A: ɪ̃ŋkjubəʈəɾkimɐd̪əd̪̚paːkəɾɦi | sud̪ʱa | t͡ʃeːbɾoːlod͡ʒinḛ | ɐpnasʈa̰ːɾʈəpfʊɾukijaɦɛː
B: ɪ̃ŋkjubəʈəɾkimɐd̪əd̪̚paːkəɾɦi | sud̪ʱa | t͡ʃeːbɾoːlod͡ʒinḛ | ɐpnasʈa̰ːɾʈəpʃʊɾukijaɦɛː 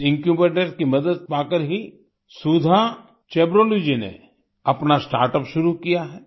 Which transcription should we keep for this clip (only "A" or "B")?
B